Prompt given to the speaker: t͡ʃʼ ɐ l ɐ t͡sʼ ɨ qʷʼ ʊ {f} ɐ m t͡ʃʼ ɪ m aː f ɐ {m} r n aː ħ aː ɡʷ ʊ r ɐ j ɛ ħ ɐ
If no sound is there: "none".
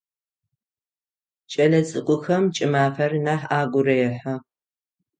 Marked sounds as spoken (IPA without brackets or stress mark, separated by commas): x, none